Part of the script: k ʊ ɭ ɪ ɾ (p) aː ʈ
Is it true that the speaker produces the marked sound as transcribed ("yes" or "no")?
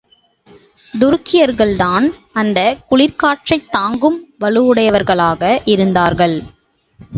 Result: no